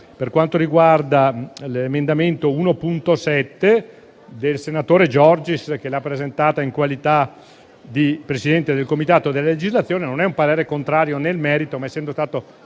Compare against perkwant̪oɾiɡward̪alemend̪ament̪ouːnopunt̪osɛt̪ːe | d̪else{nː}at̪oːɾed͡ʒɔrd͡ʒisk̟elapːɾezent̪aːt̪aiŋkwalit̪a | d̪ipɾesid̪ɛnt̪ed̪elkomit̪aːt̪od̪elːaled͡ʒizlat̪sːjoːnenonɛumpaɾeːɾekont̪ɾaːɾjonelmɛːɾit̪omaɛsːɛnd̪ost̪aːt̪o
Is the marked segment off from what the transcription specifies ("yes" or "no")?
yes